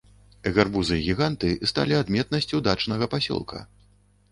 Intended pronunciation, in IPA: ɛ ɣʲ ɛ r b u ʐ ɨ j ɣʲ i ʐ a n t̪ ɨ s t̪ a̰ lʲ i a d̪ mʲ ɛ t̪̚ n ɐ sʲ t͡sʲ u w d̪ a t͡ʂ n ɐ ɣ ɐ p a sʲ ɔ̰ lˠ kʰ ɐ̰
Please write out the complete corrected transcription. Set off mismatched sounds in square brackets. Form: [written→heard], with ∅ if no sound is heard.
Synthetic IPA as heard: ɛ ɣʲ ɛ r b u [ʐ→z] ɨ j ɣʲ i [ʐ→ɣ] a n t̪ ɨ s t̪ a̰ lʲ i a d̪ mʲ ɛ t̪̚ n ɐ sʲ t͡sʲ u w d̪ a t͡ʂ n ɐ ɣ ɐ p a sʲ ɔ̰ lˠ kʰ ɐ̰